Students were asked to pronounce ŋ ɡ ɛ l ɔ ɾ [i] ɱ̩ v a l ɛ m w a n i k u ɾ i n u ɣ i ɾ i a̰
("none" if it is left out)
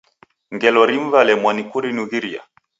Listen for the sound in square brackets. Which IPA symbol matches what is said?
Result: i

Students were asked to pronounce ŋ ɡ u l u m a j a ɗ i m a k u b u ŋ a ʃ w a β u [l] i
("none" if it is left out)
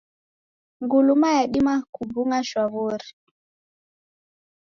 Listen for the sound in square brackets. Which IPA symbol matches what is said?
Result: ɾ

